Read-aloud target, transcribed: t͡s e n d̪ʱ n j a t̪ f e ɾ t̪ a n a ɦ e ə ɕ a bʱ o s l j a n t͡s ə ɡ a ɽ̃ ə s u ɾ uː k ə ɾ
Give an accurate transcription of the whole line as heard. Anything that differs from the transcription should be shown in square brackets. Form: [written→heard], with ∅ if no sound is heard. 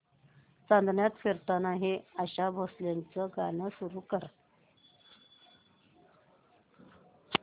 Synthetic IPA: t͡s [e→a] n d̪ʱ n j a t̪ f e ɾ t̪ a n a ɦ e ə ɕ a bʱ o s l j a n t͡s ə ɡ a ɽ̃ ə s u ɾ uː k ə ɾ